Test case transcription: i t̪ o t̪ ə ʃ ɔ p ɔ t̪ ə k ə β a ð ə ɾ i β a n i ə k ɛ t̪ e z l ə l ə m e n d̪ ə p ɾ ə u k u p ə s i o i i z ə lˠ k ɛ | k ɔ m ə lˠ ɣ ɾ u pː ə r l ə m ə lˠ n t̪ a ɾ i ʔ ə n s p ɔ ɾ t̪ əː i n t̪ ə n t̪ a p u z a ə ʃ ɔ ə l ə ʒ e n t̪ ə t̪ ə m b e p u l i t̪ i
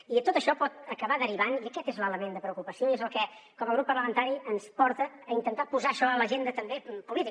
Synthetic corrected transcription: i t̪ o t̪ ə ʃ ɔ p ɔ t̪ ə k ə β a ð ə ɾ i β a n i ə k ɛ t̪ e z l ə l ə m e n d̪ ə p ɾ ə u k u p ə s i o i e z ə lˠ k ɛ | k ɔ m ə lˠ ɣ ɾ u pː ə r l ə m ə n t̪ a ɾ i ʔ ə n s p ɔ ɾ t̪ əː i n t̪ ə n t̪ a p u z a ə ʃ ɔ ə l ə ʒ e n d̪ ə t̪ ə m b e p u l i t̪ i